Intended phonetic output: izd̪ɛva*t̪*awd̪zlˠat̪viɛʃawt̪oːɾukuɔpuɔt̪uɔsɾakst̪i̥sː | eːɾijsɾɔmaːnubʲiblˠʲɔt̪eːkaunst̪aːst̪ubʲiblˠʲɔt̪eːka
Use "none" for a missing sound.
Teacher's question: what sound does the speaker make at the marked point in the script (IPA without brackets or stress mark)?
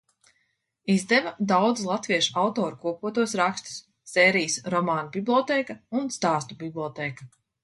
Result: d̪